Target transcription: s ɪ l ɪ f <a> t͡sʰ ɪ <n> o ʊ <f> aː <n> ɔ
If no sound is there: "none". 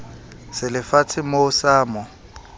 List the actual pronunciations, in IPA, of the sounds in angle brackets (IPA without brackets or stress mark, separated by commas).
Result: a, m, s, m